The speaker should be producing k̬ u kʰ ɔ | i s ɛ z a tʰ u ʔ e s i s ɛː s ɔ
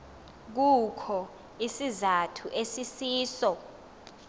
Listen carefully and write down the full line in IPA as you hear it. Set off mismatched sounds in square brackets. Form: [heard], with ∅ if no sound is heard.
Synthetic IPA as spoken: k̬ u kʰ ɔ | i s [i] z a tʰ u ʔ e s i s [iː] s ɔ